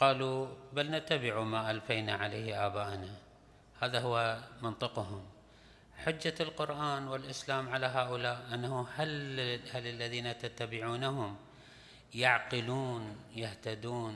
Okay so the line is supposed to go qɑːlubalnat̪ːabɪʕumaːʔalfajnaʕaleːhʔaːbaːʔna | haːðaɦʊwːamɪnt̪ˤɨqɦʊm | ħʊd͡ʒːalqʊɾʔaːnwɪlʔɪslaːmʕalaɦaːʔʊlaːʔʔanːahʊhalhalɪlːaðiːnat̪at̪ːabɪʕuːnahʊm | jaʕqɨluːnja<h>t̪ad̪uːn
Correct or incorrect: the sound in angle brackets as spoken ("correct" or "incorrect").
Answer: correct